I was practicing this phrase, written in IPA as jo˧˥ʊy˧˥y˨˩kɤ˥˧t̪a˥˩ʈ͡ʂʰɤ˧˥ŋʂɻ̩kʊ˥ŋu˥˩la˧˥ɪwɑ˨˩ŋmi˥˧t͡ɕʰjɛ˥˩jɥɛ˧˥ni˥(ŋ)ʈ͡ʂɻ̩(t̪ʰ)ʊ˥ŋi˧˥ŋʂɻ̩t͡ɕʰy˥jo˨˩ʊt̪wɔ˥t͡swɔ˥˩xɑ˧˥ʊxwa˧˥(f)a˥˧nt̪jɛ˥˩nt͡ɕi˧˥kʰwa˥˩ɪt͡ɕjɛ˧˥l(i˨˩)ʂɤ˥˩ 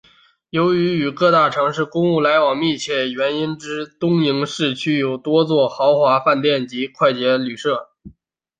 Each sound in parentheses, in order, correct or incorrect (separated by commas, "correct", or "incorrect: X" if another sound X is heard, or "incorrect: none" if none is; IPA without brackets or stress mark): incorrect: n, incorrect: t̪, correct, incorrect: y˨˩